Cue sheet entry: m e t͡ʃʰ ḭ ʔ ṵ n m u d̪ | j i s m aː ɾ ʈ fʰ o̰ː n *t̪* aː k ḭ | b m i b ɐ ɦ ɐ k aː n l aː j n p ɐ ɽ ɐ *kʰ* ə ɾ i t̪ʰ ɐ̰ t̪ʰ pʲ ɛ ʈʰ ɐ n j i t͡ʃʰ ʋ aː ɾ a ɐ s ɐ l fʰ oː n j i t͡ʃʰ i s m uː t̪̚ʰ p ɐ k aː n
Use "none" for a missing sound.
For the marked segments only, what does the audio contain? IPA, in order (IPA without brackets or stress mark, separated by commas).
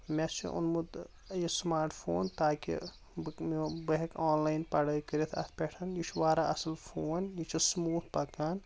t̪, k